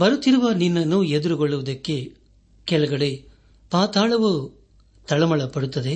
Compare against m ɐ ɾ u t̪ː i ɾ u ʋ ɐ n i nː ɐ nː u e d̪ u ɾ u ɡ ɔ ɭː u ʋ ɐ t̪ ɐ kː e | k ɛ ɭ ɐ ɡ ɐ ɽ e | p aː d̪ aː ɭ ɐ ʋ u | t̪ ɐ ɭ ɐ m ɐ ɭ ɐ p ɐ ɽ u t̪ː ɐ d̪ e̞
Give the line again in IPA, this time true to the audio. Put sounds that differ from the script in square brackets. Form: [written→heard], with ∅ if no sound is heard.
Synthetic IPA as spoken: [m→b] ɐ ɾ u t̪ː i ɾ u ʋ ɐ n i nː ɐ nː u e d̪ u ɾ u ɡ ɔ ɭː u ʋ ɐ [t̪→d̪] ɐ kː e | k ɛ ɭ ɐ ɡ ɐ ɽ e | p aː [d̪→t̪] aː ɭ ɐ ʋ u | t̪ ɐ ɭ ɐ m ɐ ɭ ɐ p ɐ ɽ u t̪ː ɐ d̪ e̞